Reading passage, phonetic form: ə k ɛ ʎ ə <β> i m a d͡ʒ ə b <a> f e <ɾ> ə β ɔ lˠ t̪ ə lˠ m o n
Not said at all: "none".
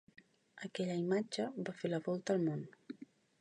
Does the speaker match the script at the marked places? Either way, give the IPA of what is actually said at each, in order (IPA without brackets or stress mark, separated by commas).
none, a, l